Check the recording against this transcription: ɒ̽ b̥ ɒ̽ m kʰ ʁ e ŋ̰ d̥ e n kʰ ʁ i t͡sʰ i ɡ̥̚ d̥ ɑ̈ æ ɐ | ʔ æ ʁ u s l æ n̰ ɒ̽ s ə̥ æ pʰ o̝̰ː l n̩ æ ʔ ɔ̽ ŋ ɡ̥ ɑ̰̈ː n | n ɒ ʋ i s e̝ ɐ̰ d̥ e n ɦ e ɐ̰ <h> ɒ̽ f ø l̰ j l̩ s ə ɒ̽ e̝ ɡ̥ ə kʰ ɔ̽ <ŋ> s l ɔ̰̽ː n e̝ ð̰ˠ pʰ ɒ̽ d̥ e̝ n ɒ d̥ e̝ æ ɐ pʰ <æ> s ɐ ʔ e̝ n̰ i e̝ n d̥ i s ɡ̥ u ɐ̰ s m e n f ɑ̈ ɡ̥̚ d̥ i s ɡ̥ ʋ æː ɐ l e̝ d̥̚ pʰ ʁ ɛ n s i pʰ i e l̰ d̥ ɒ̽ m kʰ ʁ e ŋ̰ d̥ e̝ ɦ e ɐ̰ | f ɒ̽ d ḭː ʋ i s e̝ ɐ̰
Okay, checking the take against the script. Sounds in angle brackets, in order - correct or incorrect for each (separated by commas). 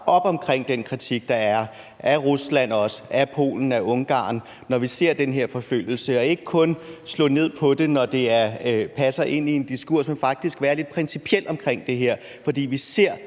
incorrect, incorrect, correct